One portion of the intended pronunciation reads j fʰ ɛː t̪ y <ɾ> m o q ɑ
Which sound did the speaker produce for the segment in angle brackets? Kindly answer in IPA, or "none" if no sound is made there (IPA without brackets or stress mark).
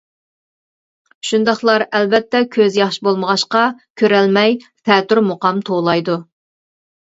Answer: ɾ